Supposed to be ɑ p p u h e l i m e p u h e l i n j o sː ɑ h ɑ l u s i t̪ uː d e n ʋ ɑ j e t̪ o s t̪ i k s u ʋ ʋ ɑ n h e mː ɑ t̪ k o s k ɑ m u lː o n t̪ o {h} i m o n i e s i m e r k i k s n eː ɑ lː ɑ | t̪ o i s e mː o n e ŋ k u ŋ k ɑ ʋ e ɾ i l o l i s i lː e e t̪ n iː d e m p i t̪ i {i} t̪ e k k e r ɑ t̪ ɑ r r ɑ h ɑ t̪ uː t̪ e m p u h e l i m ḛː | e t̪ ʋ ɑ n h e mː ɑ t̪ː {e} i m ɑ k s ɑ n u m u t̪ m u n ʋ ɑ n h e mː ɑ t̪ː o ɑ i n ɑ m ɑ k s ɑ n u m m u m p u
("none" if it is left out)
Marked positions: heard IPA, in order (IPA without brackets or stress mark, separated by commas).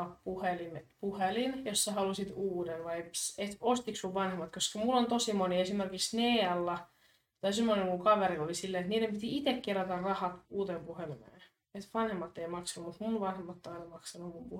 s, i, e